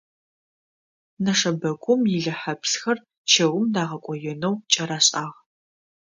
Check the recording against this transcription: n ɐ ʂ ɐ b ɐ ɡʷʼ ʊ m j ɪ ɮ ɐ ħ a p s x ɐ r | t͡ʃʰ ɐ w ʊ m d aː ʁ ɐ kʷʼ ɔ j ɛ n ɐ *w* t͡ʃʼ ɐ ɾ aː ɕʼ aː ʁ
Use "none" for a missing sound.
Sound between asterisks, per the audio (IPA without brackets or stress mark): w